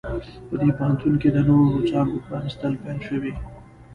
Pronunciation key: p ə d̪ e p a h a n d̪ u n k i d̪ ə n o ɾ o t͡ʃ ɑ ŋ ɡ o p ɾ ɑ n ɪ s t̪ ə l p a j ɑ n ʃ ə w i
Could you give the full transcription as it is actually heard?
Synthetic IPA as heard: p ə d̪ e p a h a n t̪ u n k e d̪ ə n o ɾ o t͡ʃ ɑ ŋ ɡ o p ɾ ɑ n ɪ s t̪ ə l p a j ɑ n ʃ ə w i